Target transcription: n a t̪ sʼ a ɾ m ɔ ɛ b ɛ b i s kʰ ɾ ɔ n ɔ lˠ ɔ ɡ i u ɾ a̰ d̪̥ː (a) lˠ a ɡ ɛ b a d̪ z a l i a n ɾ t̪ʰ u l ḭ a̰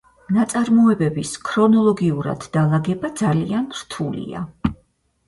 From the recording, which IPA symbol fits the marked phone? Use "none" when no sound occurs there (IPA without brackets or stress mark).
a